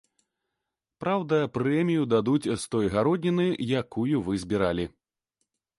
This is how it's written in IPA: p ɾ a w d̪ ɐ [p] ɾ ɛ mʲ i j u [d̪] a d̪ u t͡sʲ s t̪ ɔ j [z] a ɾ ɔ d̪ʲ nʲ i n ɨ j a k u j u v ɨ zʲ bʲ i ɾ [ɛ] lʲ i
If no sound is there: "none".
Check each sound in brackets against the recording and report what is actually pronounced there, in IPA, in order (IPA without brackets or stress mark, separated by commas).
p, d̪, ɣ, a